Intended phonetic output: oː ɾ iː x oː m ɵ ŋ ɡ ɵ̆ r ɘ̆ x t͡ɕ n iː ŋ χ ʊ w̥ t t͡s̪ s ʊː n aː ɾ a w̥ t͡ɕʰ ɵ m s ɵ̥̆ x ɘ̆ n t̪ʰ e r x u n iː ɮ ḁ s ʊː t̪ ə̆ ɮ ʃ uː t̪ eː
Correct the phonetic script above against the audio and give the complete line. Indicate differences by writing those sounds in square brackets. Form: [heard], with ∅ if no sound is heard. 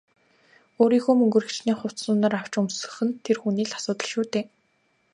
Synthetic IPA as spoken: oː ɾ iː x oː m ɵ ŋ ɡ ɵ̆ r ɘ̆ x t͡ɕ n iː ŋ χ ʊ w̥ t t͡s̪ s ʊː n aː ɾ a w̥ [t͡ɕ] ɵ m s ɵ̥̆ x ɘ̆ n t̪ʰ e r x u n iː ɮ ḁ s ʊː t̪ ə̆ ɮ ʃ uː t̪ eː